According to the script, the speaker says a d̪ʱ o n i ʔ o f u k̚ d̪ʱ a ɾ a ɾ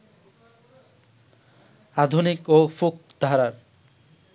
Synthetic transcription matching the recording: a d̪ʱ u n i k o f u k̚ d̪ʱ a ɾ a ɾ